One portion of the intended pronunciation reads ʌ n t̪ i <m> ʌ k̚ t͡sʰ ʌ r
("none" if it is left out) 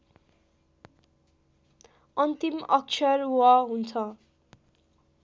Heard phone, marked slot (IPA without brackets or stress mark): m